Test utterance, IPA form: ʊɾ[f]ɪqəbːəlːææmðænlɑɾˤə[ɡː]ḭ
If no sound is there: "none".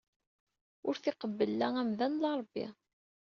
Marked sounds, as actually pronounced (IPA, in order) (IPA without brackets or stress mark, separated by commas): θ, bː